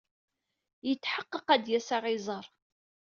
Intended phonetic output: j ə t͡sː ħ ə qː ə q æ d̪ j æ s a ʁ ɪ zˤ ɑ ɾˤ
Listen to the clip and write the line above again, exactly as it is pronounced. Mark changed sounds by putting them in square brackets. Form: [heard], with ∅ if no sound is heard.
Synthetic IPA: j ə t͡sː ħ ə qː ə q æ d̪ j æ s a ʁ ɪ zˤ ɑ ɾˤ